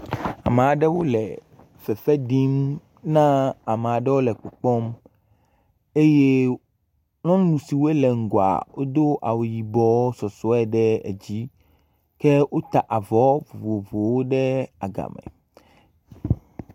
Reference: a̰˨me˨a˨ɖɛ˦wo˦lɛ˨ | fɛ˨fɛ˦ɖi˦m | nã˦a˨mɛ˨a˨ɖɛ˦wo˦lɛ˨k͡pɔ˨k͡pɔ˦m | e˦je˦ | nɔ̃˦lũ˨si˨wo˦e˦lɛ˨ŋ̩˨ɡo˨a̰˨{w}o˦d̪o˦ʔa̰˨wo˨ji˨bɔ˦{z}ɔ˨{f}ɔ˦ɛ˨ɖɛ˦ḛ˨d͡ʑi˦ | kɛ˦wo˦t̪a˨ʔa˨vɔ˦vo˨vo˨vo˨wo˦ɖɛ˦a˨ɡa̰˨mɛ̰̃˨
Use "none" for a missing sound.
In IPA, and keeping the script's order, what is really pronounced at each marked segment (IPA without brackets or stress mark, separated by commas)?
w, s, s